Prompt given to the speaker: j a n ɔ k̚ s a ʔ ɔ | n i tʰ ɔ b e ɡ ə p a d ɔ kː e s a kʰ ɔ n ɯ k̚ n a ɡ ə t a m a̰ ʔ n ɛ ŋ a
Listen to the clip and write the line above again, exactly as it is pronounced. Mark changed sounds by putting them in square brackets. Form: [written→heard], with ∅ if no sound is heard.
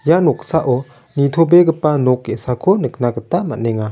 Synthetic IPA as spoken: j a n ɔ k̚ s a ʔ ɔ | n i tʰ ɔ b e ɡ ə p a [d→n] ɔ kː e s a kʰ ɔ n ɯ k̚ n a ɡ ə t a m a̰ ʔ n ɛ ŋ a